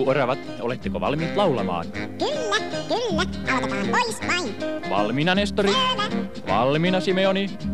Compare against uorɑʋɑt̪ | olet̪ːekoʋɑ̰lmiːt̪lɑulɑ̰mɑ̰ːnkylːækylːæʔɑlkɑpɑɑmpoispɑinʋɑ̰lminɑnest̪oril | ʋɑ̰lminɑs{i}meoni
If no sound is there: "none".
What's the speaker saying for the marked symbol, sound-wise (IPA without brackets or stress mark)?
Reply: i